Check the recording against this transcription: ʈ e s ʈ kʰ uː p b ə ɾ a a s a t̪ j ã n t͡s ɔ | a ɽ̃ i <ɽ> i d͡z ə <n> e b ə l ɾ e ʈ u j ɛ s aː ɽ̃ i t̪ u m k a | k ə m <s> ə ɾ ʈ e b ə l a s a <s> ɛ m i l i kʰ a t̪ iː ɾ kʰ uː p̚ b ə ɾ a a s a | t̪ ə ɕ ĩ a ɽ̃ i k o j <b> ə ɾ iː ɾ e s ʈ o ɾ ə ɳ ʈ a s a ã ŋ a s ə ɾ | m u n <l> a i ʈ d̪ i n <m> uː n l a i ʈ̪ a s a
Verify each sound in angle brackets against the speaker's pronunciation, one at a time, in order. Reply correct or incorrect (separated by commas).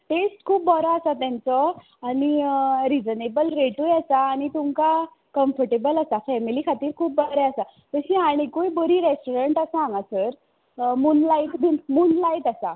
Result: incorrect, correct, incorrect, incorrect, correct, correct, correct